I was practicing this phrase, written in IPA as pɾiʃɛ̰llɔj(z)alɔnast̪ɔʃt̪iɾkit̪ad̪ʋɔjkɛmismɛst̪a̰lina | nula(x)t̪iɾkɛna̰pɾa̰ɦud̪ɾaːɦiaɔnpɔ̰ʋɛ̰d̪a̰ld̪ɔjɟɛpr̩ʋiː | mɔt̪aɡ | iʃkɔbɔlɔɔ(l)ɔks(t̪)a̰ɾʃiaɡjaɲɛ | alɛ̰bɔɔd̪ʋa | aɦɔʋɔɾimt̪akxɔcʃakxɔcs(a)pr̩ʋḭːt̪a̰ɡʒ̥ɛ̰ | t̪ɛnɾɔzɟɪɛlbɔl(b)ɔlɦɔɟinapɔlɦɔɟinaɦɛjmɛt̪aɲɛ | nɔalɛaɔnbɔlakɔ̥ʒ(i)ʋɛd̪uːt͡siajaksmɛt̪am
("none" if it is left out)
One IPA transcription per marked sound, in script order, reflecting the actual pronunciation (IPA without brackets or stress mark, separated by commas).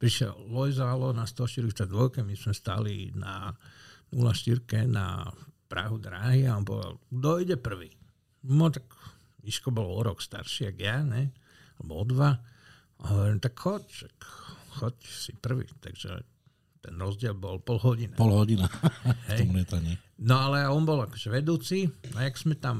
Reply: z, ʃ, ɾ, t̪, i, p, ɛ